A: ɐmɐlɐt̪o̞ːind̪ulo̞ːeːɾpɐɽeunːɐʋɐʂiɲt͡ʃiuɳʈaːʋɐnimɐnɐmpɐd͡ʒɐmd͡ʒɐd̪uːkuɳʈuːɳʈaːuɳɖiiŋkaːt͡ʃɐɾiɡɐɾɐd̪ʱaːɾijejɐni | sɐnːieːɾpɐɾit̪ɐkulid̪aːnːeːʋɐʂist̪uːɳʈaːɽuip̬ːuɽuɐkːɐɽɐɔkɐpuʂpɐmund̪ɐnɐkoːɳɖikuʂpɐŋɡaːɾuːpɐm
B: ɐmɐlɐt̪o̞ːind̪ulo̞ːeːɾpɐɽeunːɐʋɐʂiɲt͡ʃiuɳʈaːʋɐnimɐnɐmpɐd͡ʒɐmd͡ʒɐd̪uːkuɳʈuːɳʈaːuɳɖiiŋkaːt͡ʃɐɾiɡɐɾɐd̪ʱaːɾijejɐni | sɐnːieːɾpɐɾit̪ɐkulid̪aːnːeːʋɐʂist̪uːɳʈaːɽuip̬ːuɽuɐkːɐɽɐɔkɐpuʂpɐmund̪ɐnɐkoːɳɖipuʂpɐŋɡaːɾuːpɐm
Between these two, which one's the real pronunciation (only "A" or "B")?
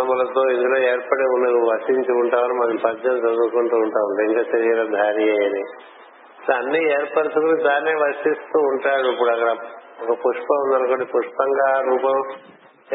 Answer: B